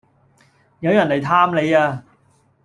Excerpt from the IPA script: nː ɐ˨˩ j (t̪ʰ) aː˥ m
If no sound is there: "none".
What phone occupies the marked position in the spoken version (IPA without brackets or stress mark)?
t̪ʰ